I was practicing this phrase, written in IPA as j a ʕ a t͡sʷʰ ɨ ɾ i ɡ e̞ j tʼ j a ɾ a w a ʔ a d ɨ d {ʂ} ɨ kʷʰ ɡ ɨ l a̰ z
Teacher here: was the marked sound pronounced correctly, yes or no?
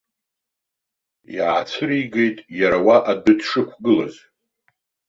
yes